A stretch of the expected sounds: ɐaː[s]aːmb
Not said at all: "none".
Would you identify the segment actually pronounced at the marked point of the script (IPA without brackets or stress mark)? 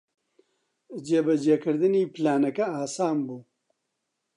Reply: s